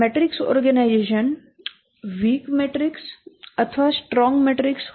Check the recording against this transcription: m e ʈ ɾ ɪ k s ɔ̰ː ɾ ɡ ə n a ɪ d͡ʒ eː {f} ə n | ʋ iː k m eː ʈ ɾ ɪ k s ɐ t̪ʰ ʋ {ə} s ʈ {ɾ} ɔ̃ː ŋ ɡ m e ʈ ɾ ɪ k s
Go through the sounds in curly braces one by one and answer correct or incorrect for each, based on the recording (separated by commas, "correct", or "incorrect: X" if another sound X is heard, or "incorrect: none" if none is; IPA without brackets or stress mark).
incorrect: ʃ, incorrect: a, correct